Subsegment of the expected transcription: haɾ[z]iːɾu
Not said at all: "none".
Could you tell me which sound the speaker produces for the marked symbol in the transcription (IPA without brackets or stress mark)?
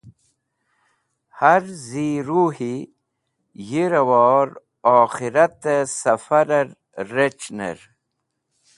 z